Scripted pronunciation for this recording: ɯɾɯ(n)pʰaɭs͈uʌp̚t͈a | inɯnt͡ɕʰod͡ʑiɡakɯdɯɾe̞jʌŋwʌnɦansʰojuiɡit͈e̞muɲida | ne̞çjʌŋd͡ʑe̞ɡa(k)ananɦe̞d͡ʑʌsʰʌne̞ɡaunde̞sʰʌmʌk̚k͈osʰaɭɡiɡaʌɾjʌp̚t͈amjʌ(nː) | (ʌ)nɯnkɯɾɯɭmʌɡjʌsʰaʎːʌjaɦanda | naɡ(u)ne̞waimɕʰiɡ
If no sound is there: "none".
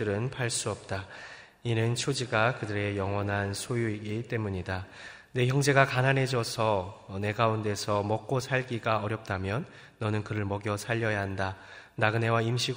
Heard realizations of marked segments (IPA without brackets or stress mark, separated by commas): n, k, nː, ʌ, ɯ